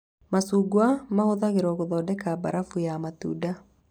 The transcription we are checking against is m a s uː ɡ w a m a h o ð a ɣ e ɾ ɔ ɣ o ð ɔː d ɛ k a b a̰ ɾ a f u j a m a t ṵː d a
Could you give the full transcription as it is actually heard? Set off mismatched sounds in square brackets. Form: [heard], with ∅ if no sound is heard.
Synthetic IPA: m a s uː ɡ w a m a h o ð a ɣ e ɾ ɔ ɣ o ð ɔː d ɛ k a b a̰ ɾ a f u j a m a t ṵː d a